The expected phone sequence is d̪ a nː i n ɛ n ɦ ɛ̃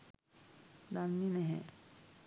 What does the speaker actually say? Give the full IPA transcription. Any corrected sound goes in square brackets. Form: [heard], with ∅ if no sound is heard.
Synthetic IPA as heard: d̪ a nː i n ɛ [∅] ɦ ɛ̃

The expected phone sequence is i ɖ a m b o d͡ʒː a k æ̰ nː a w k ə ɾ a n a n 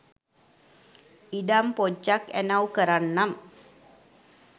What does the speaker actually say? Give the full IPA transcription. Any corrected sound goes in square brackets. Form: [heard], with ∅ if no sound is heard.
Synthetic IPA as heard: i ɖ a m [p] o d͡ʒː a k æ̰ [n] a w k ə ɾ a [nː] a [m]

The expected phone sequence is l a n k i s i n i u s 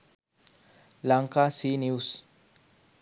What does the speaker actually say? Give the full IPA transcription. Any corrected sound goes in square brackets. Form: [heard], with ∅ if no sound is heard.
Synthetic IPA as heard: l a [ŋ] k [a] s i n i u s

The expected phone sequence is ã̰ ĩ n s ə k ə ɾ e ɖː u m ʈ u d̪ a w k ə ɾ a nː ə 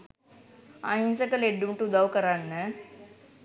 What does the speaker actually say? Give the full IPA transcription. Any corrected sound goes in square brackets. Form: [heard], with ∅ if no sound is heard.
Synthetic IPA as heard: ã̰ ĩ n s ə k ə [l] e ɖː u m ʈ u d̪ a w k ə ɾ a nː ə

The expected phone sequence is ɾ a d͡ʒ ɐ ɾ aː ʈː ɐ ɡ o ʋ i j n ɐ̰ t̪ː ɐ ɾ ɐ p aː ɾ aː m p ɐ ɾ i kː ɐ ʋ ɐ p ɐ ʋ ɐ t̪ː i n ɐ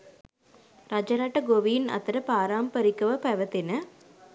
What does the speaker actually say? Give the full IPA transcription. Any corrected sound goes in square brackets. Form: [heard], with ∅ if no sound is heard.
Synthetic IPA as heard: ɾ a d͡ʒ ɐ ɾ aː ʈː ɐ ɡ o ʋ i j n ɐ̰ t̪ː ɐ ɾ ɐ p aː ɾ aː m p ɐ ɾ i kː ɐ ʋ ɐ p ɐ ʋ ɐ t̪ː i n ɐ

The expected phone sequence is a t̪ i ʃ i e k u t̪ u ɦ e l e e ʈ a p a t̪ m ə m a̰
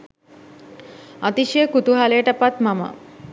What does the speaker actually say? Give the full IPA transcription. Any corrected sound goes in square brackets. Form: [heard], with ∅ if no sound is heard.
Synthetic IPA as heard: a t̪ i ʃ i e k u t̪ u ɦ [a] l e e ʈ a p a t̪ m [a] m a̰

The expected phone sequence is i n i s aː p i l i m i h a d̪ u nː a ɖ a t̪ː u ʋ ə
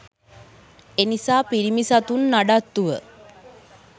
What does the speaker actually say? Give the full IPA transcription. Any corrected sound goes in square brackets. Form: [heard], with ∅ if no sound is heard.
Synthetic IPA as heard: [e] n i s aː p i [ɾ] i m i [s] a [t̪] u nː a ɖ a t̪ː u ʋ ə

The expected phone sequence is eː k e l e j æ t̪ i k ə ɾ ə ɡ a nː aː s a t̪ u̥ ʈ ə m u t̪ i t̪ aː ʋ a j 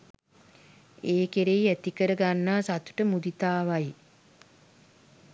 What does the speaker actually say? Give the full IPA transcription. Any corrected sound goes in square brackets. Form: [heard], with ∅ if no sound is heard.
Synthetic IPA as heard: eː k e [ɾ] e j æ t̪ i k ə ɾ ə ɡ a nː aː s a t̪ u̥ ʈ ə m u [d̪] i t̪ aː ʋ a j

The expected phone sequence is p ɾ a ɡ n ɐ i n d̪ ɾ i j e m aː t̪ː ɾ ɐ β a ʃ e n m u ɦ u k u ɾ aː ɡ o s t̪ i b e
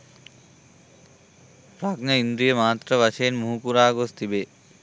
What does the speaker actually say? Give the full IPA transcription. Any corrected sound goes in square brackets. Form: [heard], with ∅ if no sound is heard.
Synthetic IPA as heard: p ɾ a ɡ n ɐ i n d̪ ɾ i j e m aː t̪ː ɾ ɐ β a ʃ e n m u ɦ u k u ɾ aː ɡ o s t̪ i b e

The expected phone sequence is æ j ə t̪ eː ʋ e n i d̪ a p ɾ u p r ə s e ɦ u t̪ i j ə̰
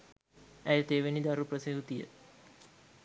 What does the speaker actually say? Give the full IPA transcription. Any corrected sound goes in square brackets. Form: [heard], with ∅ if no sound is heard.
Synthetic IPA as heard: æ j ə t̪ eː ʋ e n i d̪ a [∅] ɾ u p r ə s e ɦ u t̪ i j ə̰

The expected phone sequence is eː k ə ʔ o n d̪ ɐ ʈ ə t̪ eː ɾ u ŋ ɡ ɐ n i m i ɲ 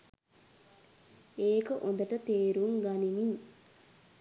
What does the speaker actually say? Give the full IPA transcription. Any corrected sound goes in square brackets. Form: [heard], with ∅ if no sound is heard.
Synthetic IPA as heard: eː k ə ʔ o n d̪ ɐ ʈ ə t̪ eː ɾ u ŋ ɡ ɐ n i m i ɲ

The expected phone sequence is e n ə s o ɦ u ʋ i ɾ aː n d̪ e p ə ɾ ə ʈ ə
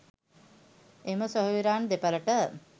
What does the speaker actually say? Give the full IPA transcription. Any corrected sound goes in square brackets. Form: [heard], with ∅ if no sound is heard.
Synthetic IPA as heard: e [m] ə s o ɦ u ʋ i ɾ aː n d̪ e p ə [l] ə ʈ ə

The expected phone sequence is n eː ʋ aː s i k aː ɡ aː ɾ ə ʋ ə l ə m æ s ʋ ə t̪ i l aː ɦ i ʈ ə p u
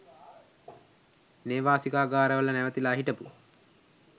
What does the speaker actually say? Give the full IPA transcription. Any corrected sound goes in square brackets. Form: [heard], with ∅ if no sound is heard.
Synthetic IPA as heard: n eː ʋ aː s i k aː ɡ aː ɾ ə ʋ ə l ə [n] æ [∅] ʋ ə t̪ i l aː ɦ i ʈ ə p u

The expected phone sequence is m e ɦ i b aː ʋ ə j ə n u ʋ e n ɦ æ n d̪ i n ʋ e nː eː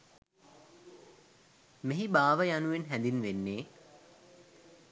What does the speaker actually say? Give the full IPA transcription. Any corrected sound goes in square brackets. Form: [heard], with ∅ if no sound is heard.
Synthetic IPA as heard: m e ɦ i b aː ʋ ə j [a] n u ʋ e n ɦ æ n d̪ i n ʋ e nː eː

